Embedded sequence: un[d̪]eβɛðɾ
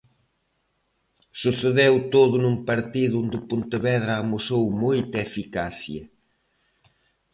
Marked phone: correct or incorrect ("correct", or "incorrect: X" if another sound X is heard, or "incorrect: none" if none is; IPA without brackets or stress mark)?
incorrect: t̪